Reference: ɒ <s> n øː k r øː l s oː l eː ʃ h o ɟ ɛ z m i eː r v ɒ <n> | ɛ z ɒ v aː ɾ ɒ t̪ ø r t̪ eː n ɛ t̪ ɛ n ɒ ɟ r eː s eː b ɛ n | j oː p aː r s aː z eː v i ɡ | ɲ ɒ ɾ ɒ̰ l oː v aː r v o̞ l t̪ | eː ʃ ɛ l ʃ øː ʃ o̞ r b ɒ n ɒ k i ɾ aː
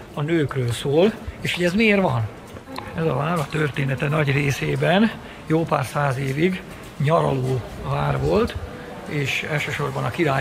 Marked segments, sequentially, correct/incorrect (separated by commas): incorrect, correct